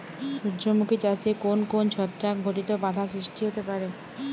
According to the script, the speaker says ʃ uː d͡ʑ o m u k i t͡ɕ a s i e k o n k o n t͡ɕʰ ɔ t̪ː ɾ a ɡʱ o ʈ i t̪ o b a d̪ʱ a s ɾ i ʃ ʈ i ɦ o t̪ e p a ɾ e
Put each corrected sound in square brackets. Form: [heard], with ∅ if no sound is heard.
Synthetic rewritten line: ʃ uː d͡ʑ o m u k i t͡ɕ a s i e k o n k o n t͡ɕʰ ɔ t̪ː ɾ a ɡʱ o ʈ i t̪ o b a d̪ʱ a s ɾ i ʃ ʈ i ɦ o t̪ e p a ɾ e

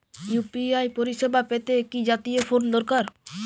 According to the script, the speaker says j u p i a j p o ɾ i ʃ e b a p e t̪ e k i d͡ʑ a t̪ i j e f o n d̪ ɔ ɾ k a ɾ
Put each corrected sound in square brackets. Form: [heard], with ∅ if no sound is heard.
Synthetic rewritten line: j u p i a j p o ɾ i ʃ e b a p e t̪ e k i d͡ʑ a t̪ i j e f o n d̪ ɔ ɾ k a ɾ

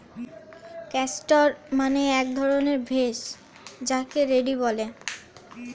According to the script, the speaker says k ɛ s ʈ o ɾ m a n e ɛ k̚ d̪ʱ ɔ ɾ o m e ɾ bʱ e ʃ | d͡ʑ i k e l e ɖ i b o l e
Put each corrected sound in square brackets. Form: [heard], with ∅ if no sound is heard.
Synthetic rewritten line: k ɛ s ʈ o ɾ m a n e ɛ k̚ d̪ʱ ɔ ɾ o [n] e ɾ bʱ e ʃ | d͡ʑ [a] k e [ɾ] e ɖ i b [ɔ] l e

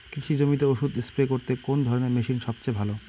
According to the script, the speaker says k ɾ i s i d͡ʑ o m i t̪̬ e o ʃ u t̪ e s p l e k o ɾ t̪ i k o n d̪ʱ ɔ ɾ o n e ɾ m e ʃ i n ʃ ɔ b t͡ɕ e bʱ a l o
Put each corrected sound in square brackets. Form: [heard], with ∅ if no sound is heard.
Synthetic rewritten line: k ɾ i [ʃ] i d͡ʑ o m i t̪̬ e o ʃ u [d̪] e s p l e k o ɾ t̪ [e] k o n d̪ʱ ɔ ɾ o n e ɾ m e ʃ i n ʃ ɔ b t͡ɕ e bʱ a l o

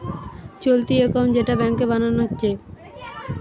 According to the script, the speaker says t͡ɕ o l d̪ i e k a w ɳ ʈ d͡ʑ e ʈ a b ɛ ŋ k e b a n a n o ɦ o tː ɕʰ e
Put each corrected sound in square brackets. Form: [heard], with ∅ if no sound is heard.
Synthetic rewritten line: t͡ɕ o l [t̪] i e k a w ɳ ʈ d͡ʑ e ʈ a b ɛ ŋ k e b a n a n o ɦ o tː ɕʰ e

